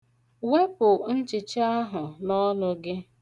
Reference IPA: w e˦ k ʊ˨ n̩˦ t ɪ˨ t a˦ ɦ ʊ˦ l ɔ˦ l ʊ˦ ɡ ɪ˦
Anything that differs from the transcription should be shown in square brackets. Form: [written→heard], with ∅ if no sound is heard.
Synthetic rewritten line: w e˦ [k→p] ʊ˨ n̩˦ [t→t͡ʃ] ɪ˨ [t→t͡ʃ] a˦ ɦ [ʊ˦→ʊ˨] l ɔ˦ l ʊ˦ ɡ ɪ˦